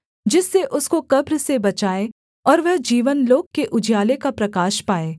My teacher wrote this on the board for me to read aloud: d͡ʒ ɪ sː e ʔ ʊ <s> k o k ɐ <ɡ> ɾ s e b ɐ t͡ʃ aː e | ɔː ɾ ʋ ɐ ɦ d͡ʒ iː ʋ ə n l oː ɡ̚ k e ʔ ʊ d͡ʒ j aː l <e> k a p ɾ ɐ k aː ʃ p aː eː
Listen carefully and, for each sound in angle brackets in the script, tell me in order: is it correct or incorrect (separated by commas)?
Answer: correct, incorrect, correct